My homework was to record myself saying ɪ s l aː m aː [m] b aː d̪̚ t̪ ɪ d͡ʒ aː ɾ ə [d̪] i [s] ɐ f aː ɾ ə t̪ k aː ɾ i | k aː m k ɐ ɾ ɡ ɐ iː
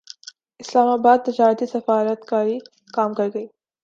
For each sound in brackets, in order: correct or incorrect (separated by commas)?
incorrect, incorrect, correct